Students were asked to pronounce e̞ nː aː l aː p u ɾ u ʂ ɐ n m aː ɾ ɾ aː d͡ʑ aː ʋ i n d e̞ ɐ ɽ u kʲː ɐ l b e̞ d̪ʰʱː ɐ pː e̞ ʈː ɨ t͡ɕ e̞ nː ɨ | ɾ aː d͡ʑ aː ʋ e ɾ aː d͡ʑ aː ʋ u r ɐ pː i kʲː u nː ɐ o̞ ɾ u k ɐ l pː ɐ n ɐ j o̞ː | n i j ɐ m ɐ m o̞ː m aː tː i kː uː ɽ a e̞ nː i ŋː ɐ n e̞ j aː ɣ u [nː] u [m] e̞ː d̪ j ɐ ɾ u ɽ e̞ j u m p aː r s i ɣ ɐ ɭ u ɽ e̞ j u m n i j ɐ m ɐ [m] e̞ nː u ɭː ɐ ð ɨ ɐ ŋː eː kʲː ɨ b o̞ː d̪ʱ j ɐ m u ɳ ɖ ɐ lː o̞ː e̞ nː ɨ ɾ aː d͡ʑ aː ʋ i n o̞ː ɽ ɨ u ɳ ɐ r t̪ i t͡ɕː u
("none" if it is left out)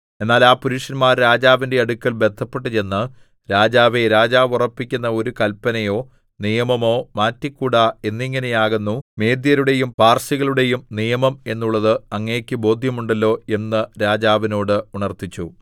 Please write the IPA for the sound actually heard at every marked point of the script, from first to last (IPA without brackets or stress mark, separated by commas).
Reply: nː, m, m